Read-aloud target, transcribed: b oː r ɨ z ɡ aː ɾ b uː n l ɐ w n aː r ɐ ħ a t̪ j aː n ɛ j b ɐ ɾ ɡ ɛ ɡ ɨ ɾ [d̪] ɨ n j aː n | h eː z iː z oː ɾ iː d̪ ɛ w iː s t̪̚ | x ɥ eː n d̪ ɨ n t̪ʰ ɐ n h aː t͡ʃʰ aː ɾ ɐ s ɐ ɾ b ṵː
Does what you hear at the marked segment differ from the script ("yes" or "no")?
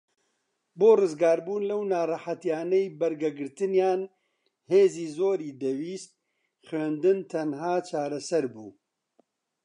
yes